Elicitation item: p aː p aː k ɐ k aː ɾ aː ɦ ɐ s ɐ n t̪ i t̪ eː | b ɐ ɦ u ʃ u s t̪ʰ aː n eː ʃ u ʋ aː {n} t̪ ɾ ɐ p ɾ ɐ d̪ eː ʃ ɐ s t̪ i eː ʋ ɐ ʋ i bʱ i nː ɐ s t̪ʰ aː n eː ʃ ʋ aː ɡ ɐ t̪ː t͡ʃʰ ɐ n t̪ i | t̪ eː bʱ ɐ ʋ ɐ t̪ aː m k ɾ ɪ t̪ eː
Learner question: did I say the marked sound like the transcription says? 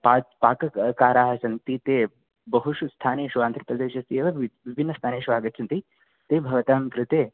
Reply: yes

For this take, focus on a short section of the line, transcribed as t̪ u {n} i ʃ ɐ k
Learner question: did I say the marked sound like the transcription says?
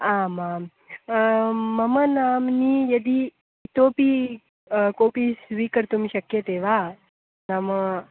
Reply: no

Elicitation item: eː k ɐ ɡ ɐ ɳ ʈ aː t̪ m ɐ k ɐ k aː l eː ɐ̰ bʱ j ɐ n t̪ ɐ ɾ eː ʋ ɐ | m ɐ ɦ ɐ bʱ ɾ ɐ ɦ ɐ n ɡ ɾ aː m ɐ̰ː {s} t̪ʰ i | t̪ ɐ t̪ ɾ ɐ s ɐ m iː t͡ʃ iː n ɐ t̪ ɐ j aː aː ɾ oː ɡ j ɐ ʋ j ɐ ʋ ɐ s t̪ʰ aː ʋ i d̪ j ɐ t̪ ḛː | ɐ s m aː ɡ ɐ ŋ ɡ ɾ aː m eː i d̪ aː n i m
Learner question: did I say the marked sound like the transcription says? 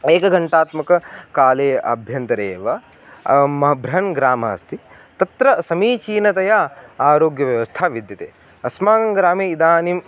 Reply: yes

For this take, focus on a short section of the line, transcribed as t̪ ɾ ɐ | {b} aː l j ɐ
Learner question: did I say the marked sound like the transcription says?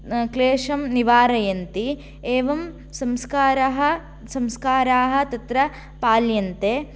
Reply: no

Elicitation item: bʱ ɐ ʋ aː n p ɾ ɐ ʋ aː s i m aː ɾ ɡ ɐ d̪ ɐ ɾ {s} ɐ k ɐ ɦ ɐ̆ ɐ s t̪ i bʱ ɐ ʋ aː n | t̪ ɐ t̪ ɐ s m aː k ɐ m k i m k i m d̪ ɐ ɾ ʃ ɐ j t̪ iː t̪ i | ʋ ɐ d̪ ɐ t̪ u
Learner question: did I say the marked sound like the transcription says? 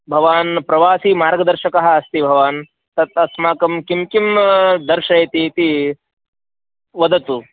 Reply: no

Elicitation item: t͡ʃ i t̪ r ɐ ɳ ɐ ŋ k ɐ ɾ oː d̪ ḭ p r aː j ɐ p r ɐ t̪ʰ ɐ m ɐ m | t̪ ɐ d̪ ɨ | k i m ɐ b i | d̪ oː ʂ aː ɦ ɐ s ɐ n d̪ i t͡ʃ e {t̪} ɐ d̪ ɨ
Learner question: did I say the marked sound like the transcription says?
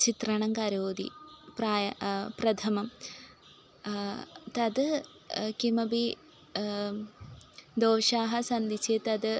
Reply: yes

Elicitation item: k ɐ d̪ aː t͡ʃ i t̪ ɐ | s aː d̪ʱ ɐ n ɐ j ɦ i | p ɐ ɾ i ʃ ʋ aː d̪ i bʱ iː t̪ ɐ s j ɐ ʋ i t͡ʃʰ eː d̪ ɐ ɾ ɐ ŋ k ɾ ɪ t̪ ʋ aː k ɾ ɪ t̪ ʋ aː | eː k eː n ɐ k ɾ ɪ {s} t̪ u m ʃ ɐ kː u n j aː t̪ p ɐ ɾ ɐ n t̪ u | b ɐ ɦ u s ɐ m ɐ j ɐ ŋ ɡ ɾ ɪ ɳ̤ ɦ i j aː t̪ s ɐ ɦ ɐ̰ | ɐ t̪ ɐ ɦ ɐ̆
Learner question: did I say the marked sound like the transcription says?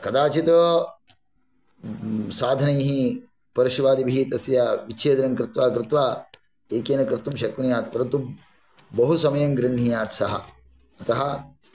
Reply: no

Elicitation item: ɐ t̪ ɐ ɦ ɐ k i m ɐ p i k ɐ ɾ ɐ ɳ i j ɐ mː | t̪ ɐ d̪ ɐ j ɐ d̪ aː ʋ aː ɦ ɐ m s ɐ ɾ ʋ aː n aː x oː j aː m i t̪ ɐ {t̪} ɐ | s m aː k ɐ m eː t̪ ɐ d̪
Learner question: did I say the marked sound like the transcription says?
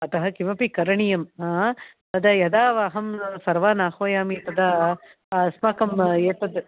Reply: no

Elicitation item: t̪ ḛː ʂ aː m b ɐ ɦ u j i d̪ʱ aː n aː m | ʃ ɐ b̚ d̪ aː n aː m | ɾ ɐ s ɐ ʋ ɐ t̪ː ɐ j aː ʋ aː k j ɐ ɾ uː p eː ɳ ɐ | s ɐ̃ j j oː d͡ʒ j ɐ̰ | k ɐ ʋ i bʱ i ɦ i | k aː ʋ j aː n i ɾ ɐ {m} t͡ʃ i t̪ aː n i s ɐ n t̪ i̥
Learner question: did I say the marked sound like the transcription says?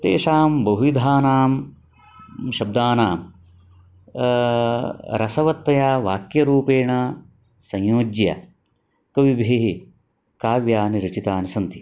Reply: no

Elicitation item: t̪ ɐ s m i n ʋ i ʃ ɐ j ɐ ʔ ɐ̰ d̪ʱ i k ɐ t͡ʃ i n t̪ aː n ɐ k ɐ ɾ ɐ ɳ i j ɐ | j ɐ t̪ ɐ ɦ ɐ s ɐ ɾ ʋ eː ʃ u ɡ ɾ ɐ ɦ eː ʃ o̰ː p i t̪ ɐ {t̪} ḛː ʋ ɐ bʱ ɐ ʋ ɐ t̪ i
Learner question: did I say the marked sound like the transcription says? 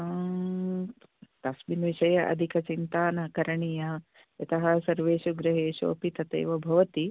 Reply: yes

